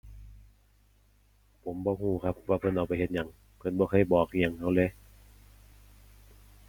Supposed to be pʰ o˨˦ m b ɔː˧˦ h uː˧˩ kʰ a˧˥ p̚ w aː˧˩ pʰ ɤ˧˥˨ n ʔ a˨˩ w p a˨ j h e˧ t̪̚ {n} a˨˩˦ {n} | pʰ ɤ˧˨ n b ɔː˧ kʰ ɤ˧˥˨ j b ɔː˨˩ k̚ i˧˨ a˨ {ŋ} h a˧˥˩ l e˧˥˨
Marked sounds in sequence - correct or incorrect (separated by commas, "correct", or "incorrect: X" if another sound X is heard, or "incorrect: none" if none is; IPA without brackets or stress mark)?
incorrect: ɲ, incorrect: ŋ, correct